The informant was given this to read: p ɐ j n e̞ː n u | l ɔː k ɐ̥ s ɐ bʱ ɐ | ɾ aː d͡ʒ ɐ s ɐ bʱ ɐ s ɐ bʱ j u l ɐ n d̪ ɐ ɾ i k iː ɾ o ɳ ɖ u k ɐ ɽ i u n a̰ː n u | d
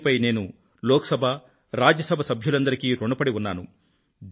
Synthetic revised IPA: p ɐ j n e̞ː n u | l ɔː k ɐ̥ s ɐ bʱ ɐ | ɾ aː d͡ʒ ɐ s ɐ bʱ ɐ s ɐ bʱ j u l ɐ n d̪ ɐ ɾ i k iː ɾ o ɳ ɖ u p ɐ ɽ i u nː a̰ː n u | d